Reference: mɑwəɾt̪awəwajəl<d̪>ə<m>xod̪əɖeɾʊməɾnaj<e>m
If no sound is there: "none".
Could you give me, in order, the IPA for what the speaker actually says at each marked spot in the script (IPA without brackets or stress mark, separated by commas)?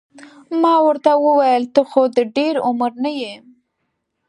t̪, none, e